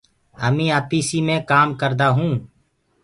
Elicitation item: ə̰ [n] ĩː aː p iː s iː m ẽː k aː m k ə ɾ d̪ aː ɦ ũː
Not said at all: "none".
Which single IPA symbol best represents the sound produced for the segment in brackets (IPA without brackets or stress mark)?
m